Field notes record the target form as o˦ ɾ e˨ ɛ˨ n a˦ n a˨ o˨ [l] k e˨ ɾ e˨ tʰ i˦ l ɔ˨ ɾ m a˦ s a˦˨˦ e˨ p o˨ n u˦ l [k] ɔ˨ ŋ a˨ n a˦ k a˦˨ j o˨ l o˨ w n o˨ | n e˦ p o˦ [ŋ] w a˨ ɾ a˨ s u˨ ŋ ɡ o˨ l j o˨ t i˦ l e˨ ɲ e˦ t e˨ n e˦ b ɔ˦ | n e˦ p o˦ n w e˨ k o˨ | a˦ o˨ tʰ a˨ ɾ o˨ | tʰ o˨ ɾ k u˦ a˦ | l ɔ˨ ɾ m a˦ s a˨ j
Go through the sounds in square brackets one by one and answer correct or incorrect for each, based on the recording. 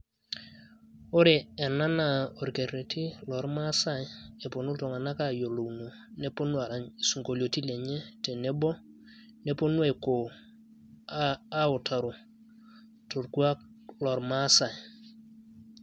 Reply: incorrect: ɾ, incorrect: t, incorrect: n

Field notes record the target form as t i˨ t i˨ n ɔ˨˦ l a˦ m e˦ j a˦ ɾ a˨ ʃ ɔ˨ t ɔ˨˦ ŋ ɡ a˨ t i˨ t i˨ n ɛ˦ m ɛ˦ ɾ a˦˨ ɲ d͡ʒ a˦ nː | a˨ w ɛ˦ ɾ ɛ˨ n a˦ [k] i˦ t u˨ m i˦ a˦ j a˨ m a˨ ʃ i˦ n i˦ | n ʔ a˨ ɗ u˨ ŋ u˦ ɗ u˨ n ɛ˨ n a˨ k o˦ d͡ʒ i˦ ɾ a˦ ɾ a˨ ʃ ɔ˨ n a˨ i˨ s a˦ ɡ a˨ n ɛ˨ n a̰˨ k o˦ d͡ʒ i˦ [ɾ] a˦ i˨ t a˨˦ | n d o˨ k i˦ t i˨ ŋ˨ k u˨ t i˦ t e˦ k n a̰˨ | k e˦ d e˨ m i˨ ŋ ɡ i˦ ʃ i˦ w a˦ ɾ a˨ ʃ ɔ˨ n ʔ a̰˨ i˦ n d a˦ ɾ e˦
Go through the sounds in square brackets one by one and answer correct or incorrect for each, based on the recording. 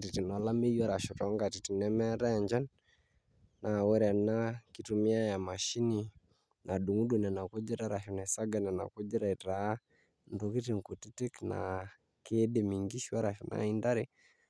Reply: correct, correct

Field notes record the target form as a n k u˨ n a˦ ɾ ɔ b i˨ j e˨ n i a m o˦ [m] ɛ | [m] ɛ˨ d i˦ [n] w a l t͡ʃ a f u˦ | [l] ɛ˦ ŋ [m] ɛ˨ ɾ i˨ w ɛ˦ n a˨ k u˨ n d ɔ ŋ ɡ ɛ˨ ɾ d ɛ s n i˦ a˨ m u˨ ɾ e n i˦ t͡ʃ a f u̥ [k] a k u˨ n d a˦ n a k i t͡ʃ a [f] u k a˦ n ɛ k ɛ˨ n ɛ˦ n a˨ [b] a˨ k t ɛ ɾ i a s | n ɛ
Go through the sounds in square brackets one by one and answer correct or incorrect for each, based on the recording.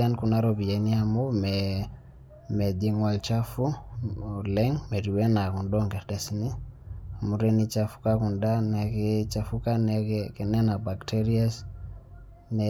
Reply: correct, correct, incorrect: ŋ, correct, correct, correct, correct, correct

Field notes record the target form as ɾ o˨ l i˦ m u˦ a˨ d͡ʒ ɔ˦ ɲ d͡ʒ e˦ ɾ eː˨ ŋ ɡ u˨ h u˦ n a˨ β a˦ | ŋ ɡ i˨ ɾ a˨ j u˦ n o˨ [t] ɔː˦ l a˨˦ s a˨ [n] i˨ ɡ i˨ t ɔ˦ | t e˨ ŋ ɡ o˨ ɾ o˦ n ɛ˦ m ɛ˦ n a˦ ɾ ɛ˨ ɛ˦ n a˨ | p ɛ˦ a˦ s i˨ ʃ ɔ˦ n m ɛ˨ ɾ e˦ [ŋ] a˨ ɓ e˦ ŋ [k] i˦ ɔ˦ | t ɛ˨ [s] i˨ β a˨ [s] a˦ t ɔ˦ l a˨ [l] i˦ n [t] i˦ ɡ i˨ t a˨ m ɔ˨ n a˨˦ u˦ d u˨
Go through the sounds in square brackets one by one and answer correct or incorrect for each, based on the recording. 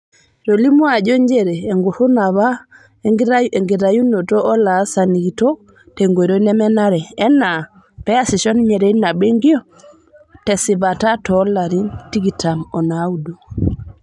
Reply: correct, correct, incorrect: n, incorrect: ɡ, correct, incorrect: t, incorrect: ɾ, correct

